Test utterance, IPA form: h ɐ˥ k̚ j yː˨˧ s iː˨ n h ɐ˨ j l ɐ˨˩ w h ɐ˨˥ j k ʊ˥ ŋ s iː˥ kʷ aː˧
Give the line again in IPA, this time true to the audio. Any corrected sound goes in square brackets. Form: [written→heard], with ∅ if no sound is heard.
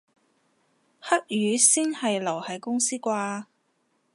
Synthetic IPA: h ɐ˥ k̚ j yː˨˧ s [iː˨→iː˥] n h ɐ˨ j l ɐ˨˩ w h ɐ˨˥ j k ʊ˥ ŋ s iː˥ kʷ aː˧